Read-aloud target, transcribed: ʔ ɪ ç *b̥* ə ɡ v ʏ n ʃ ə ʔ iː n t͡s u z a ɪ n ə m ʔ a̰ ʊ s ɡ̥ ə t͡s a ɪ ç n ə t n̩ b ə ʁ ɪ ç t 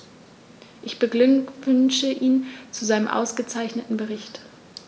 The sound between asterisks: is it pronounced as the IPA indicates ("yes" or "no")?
yes